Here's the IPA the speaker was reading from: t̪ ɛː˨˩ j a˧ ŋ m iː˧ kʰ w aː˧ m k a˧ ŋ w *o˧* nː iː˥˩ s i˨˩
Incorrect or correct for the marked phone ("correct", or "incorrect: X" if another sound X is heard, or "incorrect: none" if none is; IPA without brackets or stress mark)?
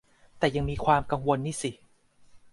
correct